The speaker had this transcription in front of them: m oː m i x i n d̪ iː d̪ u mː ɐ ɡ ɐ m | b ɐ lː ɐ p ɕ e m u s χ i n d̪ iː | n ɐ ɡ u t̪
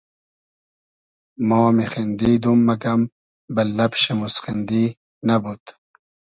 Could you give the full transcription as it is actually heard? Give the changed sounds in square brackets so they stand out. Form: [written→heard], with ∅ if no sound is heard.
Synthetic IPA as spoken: m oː m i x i n d̪ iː d̪ u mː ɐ ɡ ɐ m | b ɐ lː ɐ p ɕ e m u s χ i n d̪ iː | n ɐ [ɡ→b] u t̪